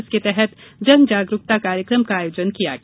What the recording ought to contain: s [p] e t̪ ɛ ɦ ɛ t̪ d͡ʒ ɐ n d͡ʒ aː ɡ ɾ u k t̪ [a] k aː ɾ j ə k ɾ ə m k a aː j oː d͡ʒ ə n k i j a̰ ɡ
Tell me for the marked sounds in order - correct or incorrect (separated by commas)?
incorrect, correct